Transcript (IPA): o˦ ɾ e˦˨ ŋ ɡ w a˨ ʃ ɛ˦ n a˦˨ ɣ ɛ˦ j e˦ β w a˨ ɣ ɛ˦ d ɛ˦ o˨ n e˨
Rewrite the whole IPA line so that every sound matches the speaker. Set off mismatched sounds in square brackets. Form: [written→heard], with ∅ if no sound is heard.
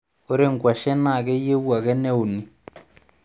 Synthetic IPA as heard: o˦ ɾ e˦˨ ŋ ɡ w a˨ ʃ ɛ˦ n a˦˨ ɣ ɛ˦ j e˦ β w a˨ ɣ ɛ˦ [d→n] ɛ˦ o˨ n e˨